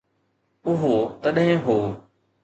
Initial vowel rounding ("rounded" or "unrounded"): rounded